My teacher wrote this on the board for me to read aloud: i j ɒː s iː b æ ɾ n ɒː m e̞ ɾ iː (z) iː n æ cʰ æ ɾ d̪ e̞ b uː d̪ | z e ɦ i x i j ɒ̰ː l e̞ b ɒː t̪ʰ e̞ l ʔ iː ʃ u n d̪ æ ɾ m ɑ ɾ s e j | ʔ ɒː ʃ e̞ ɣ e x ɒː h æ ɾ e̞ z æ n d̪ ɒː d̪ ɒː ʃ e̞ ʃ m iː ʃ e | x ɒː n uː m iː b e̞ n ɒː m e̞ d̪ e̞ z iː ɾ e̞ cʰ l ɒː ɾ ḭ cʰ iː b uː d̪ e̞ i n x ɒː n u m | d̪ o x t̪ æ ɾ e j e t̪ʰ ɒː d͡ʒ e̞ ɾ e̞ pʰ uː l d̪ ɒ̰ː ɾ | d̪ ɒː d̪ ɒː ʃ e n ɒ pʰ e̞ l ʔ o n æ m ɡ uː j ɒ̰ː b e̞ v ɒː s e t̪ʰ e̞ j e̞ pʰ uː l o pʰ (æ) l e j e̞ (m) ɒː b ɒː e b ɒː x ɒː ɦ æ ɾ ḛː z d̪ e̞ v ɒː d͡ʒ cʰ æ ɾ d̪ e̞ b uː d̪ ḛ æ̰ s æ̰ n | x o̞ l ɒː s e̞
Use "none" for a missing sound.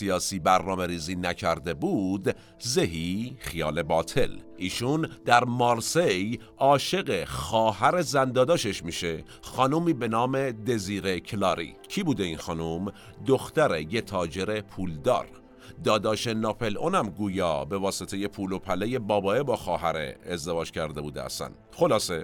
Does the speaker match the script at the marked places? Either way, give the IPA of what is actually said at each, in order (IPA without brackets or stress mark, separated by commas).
z, æ, b